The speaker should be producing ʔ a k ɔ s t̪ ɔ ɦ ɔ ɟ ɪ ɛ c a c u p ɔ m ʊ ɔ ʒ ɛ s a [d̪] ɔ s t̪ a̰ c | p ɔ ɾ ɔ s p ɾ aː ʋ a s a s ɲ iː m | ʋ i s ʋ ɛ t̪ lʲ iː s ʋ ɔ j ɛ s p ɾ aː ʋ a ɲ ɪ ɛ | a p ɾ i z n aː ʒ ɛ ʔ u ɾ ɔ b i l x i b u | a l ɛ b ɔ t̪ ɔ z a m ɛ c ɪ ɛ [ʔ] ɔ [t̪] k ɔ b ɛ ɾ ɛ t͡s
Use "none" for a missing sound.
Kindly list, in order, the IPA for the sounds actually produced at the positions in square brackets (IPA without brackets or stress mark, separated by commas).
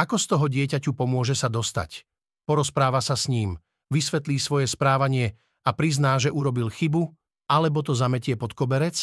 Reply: d̪, p, t̪